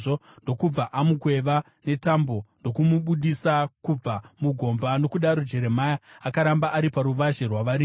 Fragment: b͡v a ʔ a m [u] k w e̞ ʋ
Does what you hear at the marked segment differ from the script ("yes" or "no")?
no